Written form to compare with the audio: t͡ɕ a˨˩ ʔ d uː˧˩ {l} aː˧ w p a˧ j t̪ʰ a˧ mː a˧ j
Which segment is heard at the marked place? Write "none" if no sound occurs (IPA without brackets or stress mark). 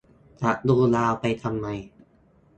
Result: l